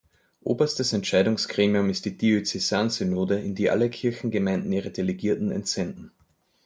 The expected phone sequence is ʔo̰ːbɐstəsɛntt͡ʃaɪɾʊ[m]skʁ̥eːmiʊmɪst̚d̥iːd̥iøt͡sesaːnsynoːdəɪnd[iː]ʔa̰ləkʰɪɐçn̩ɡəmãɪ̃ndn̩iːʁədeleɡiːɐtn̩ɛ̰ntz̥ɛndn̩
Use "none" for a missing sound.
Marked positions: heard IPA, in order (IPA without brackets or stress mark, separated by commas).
ŋ, iː